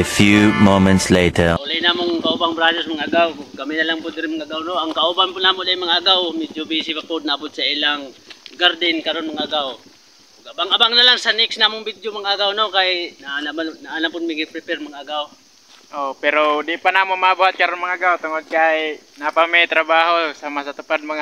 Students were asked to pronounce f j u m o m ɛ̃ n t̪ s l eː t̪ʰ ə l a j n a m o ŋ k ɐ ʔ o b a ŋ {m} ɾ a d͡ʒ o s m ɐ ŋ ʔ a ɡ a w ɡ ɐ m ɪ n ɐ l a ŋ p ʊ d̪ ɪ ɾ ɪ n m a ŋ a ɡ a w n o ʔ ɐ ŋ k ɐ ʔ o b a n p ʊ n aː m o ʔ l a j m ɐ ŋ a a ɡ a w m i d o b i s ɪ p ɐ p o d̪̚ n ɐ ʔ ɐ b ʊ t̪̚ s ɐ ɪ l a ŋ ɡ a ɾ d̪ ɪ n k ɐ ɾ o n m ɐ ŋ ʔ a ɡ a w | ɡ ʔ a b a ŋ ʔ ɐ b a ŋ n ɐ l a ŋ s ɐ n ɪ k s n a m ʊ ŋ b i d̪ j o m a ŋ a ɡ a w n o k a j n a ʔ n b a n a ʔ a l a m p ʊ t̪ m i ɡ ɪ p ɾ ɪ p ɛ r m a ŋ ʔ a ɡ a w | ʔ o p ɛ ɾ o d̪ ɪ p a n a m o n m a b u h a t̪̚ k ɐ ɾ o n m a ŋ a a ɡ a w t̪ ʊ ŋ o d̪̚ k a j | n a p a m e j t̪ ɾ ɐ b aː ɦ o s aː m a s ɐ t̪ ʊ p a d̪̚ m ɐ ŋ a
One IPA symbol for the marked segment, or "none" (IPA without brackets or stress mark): b